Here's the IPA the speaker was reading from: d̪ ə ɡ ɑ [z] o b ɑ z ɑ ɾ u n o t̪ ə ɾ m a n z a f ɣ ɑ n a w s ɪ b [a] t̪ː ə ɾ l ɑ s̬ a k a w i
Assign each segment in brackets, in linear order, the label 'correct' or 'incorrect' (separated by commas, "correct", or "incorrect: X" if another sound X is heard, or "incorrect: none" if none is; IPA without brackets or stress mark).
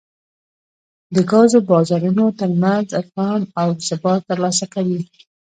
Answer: correct, incorrect: ɑ